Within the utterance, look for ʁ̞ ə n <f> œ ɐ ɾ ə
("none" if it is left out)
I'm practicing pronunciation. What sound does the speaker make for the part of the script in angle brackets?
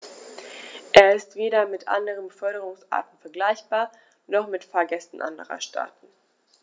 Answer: f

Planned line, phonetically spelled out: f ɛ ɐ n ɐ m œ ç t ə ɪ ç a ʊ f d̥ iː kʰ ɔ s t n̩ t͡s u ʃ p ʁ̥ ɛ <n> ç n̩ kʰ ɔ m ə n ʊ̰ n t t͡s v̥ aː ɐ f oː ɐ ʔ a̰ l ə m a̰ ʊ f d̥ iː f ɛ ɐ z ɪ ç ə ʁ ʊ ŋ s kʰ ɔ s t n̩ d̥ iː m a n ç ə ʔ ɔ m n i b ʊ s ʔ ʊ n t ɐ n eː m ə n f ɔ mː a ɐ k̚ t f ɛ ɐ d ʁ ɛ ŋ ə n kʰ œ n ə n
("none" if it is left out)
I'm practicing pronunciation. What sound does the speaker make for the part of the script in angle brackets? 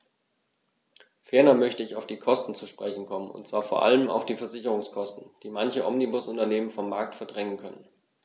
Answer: none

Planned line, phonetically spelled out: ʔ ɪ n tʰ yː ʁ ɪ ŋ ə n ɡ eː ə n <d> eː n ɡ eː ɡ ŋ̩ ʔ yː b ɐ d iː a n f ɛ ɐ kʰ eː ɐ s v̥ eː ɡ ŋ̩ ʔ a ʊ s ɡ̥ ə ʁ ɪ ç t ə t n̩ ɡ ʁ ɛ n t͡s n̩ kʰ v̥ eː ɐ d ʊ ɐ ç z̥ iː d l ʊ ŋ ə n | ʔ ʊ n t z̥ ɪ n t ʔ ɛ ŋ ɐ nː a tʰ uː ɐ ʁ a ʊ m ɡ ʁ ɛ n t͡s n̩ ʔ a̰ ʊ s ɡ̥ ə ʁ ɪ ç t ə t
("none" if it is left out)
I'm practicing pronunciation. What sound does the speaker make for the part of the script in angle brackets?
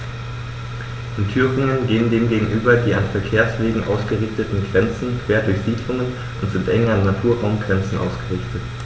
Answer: ɡ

